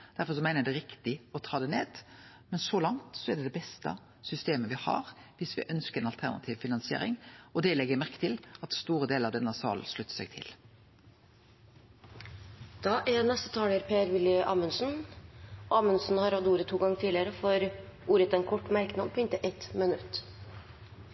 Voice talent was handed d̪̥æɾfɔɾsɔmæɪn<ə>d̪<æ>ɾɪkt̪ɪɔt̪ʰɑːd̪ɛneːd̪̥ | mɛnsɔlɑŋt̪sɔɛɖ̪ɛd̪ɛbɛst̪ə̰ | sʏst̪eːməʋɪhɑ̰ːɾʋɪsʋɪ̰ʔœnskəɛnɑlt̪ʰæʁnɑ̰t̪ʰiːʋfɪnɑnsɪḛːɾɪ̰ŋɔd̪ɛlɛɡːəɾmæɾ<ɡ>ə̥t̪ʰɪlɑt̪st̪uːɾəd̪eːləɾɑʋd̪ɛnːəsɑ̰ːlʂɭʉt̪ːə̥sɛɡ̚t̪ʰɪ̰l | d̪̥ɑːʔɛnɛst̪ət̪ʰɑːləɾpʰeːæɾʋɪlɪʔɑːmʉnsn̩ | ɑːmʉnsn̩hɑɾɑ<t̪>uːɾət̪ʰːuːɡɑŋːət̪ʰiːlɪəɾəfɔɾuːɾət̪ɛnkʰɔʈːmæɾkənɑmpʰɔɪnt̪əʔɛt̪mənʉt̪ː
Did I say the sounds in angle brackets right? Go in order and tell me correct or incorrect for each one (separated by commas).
correct, incorrect, incorrect, incorrect